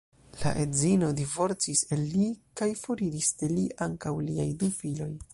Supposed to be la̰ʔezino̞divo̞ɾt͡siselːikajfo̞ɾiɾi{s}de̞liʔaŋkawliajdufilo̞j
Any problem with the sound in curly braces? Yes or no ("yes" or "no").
no